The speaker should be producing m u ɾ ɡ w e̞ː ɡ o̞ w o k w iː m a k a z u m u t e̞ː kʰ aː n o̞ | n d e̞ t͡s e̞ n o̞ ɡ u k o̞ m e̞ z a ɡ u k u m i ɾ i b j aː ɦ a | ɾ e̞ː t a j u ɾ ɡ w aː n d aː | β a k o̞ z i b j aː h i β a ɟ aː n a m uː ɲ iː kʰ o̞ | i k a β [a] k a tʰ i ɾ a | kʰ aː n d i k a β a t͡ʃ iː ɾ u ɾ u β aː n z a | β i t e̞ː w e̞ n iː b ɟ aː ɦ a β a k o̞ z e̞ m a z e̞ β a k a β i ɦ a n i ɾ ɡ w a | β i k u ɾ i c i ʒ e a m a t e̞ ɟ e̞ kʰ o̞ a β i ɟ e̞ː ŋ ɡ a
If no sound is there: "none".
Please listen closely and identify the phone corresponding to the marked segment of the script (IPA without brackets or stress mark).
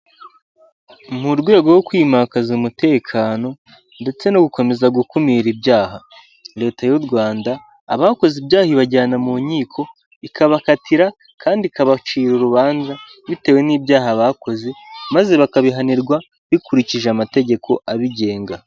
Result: a